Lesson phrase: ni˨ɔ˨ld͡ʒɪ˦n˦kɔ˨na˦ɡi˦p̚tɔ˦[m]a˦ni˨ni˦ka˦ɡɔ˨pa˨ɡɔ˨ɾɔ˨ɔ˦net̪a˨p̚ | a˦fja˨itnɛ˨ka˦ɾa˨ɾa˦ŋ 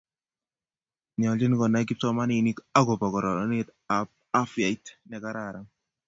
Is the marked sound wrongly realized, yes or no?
no